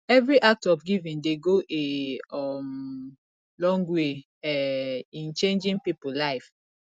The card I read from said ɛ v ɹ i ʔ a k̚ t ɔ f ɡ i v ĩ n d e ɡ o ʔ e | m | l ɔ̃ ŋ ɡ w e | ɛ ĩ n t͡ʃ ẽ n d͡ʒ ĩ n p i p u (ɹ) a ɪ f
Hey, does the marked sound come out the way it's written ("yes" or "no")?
no